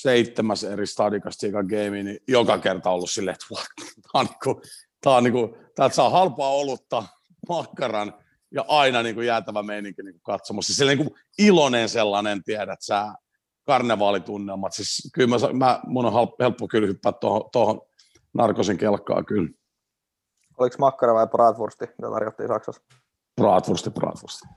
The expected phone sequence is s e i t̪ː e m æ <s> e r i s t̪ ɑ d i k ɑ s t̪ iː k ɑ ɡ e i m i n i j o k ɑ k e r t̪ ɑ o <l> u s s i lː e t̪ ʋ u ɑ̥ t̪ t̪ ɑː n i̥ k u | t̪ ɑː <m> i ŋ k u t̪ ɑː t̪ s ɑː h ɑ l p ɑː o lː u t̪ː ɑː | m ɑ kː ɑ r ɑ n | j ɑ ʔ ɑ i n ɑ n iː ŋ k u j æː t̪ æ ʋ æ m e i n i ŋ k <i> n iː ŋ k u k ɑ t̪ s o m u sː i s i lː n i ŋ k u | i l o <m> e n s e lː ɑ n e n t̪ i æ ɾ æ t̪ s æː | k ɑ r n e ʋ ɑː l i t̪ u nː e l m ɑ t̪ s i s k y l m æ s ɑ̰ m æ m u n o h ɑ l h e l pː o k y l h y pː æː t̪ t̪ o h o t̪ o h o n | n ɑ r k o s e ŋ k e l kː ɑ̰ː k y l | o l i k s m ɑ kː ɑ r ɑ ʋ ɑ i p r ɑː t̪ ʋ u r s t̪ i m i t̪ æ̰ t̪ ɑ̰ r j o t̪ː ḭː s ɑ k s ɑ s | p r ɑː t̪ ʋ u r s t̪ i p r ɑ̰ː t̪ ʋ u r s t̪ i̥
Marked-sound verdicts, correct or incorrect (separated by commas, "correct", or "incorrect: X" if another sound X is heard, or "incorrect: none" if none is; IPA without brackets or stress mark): correct, incorrect: lː, incorrect: n, correct, incorrect: n